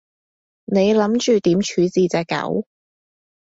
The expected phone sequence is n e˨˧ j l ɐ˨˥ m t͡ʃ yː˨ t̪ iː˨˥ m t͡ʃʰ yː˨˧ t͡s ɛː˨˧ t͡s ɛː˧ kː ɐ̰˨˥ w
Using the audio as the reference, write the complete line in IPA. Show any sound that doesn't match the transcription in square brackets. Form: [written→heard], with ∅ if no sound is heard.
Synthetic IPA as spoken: n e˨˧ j l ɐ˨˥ m t͡ʃ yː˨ t̪ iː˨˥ m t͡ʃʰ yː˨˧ t͡s [ɛː˨˧→iː˨˧] t͡s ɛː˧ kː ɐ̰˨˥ w